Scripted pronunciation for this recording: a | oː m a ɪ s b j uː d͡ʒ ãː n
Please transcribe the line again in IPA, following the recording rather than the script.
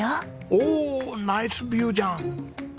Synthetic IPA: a | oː n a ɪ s b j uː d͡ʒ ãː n